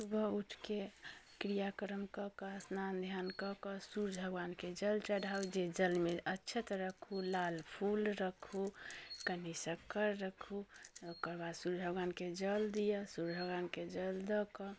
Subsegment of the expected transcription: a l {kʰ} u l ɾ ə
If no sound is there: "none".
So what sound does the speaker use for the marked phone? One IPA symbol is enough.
pʰ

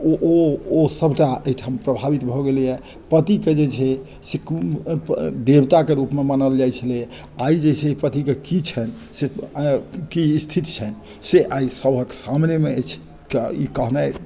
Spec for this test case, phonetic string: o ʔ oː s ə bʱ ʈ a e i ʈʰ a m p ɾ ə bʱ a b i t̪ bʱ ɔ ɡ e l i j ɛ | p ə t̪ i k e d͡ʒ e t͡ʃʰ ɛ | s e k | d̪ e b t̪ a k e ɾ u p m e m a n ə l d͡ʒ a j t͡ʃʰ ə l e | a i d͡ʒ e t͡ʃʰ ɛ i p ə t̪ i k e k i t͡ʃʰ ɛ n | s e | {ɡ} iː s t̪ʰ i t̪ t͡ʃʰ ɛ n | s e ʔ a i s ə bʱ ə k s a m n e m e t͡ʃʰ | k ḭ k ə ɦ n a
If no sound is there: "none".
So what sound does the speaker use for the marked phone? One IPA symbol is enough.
k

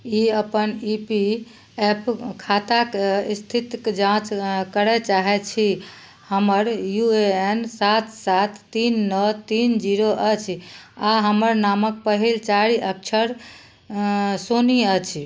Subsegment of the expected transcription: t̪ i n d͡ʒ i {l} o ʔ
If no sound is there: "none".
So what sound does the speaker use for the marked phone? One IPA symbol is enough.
ɾ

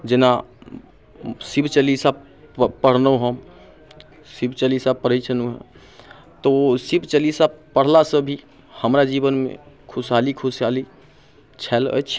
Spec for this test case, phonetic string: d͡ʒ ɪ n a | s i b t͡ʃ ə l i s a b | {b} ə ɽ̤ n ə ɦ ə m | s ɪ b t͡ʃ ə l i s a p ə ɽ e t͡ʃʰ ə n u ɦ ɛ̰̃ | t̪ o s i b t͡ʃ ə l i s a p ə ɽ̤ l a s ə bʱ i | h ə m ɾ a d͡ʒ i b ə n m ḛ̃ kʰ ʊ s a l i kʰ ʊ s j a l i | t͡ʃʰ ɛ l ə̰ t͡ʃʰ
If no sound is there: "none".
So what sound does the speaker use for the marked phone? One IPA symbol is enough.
p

